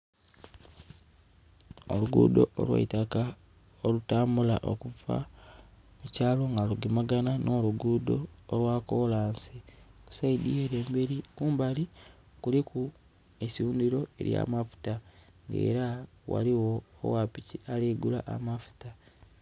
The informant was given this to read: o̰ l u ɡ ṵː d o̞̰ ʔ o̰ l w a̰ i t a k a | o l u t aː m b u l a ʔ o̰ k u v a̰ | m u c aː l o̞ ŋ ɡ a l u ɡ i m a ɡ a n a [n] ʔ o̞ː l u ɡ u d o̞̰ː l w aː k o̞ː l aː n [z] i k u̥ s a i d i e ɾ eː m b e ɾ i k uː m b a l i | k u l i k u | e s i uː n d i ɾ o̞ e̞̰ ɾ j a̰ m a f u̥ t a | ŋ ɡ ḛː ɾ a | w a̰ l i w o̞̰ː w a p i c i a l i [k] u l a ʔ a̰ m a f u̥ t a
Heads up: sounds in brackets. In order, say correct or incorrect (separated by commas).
correct, incorrect, incorrect